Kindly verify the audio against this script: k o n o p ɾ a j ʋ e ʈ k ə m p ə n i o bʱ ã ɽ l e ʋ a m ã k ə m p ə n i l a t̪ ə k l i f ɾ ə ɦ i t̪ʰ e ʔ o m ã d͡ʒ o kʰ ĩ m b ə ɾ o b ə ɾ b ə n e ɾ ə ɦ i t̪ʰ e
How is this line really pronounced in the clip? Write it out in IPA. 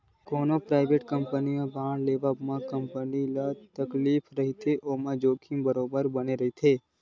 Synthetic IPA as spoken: k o n o p ɾ a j ʋ e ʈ k ə m p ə n i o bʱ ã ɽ l e ʋ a m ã k ə m p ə n i l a t̪ ə k l i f ɾ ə ɦ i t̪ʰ e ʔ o m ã d͡ʒ o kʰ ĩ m b ə ɾ o b ə ɾ b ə n e ɾ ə ɦ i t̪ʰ e